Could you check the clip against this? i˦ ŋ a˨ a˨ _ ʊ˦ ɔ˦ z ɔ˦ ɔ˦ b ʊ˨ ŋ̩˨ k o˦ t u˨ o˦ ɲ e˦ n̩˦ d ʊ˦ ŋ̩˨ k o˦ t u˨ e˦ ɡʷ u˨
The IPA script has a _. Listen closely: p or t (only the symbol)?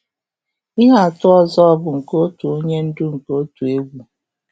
t